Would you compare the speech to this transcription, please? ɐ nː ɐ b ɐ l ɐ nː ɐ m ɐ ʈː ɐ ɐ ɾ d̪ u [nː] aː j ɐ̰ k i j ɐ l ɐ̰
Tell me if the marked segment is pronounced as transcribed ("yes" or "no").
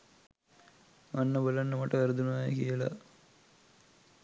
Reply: no